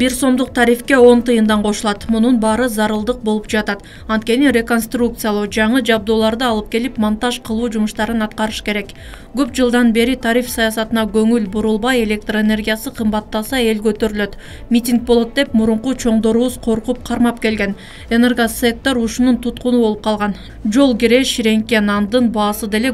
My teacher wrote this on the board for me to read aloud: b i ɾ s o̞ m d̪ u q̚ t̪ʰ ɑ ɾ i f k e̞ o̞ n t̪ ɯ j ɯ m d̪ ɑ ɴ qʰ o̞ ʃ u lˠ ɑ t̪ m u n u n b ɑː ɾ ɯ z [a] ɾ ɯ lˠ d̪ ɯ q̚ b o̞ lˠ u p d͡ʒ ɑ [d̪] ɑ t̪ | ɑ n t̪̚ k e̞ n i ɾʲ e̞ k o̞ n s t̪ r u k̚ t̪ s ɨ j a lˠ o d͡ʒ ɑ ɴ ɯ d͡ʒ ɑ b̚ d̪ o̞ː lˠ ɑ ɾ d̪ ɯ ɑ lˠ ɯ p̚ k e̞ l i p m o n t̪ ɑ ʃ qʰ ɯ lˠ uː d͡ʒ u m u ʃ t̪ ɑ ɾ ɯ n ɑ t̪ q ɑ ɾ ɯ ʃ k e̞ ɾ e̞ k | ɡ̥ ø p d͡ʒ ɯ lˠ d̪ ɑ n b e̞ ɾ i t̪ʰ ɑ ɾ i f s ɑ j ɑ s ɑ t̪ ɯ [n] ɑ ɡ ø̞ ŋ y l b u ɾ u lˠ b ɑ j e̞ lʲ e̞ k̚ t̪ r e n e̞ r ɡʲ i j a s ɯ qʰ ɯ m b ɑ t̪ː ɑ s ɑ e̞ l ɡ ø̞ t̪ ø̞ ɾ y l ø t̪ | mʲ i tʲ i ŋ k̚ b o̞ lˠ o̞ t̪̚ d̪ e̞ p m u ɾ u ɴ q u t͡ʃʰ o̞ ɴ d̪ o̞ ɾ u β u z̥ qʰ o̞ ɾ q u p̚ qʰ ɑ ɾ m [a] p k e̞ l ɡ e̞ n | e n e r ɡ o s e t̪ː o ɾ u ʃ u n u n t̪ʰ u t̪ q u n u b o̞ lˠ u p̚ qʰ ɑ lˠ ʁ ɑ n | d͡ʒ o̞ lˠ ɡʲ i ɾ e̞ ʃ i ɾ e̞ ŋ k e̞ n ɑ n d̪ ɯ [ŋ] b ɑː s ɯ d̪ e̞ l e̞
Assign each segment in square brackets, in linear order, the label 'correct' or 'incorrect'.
incorrect: ɑ, incorrect: t̪, correct, incorrect: ɑ, incorrect: n

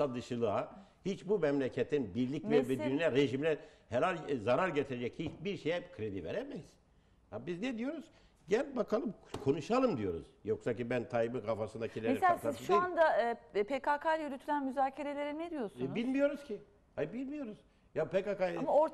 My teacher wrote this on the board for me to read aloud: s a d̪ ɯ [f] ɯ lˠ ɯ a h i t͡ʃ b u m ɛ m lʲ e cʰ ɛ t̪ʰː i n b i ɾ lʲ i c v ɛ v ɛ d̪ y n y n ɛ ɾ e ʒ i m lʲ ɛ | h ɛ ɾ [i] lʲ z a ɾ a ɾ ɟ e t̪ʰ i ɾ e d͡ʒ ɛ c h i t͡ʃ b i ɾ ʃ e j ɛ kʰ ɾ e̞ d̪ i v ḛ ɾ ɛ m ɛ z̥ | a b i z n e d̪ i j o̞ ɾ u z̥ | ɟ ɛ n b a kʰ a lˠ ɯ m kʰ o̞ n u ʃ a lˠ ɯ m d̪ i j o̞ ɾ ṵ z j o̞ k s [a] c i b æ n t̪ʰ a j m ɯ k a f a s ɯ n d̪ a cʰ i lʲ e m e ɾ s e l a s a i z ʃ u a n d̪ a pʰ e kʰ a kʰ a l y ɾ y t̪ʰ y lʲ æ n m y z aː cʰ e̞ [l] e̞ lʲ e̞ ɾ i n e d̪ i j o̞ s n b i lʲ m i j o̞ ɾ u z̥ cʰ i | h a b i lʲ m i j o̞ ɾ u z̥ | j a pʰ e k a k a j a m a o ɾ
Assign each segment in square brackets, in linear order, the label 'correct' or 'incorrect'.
incorrect: ʃ, incorrect: a, correct, incorrect: ɾ

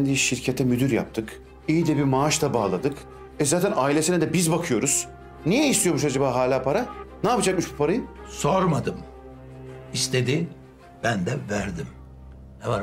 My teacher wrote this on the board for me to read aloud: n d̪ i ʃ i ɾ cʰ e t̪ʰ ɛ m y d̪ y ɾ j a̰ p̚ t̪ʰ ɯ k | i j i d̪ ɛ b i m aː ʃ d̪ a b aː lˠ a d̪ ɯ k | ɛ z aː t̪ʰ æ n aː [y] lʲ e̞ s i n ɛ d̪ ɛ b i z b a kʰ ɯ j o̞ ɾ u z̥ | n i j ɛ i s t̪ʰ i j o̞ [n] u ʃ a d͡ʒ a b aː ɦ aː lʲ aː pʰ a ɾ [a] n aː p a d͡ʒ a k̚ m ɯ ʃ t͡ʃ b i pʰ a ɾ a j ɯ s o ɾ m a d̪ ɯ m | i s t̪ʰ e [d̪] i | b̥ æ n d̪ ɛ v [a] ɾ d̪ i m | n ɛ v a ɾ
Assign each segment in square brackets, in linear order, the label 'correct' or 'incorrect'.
incorrect: i, incorrect: m, correct, correct, incorrect: æ

